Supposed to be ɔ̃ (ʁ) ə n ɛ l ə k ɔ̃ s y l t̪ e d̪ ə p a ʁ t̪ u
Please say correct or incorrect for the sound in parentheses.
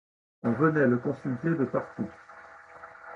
incorrect